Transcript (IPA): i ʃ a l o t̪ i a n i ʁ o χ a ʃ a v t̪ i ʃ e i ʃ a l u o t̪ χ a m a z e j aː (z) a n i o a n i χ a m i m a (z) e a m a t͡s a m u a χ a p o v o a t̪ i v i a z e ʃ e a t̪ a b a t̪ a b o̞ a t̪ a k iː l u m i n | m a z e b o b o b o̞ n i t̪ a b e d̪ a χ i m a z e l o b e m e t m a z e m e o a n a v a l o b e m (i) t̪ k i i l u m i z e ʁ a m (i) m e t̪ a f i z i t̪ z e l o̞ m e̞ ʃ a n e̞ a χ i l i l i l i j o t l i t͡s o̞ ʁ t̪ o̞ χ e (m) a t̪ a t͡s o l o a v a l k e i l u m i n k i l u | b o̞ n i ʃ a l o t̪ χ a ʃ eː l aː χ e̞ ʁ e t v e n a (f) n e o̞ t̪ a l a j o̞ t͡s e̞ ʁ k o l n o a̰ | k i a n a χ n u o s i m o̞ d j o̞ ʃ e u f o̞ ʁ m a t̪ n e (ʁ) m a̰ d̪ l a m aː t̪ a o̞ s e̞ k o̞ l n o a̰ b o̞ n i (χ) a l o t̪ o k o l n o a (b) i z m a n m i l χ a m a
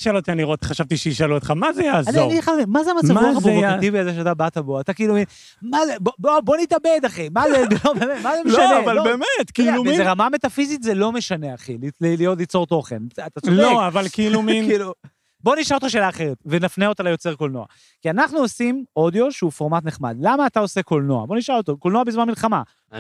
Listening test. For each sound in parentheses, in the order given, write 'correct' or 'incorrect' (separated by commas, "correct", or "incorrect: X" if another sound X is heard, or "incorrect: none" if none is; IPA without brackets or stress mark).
correct, correct, incorrect: e, incorrect: a, incorrect: n, correct, incorrect: χ, incorrect: ʃ, correct